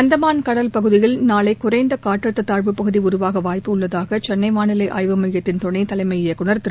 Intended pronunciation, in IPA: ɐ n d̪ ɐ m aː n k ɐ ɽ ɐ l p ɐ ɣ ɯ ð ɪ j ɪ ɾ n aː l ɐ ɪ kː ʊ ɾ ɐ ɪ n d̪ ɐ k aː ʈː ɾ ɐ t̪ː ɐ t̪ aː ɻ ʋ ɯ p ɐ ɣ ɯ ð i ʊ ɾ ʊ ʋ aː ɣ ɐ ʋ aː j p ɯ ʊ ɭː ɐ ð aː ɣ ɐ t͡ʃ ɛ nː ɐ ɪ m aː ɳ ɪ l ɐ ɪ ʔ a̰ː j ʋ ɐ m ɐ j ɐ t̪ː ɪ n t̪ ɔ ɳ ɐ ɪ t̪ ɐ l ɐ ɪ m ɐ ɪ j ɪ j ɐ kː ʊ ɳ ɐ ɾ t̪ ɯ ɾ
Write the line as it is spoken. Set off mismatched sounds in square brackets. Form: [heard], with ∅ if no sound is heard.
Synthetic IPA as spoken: ɐ n d̪ ɐ m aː n k ɐ ɽ ɐ l p ɐ ɣ ɯ ð ɪ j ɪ [l] n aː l ɐ ɪ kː ʊ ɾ ɐ ɪ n d̪ ɐ k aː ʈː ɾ ɐ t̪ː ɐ t̪ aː ɻ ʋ ɯ p ɐ ɣ ɯ ð i ʊ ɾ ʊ ʋ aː ɣ ɐ ʋ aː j p ɯ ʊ ɭː ɐ ð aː ɣ ɐ t͡ʃ ɛ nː ɐ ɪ m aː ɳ ɪ l ɐ ɪ ʔ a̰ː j ʋ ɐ m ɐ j ɐ t̪ː ɪ n t̪ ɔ ɳ ɐ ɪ t̪ ɐ l ɐ ɪ m ɐ ɪ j ɪ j ɐ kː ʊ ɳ ɐ ɾ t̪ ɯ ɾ